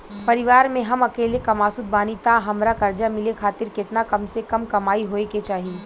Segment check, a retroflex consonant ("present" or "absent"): absent